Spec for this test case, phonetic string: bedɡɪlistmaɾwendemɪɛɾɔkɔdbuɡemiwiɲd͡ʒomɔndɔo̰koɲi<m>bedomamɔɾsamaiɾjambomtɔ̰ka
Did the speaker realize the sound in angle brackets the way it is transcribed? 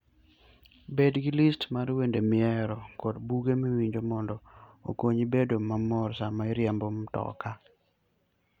no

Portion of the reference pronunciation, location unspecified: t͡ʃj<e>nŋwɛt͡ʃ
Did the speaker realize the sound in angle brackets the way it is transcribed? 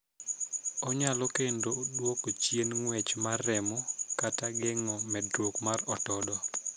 yes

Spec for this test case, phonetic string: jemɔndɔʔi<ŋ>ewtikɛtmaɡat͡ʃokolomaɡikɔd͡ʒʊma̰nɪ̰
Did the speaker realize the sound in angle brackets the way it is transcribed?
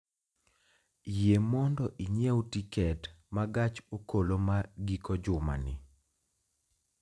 no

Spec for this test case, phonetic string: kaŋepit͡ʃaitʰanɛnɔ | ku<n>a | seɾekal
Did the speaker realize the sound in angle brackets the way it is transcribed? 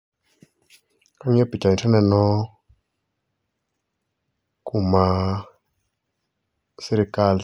no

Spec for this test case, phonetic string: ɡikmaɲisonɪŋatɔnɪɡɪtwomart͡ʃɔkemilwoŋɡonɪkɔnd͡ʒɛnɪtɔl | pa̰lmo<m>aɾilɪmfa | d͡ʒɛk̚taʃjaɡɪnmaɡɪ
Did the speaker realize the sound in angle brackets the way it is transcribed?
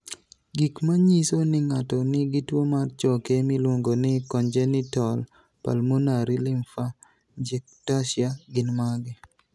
no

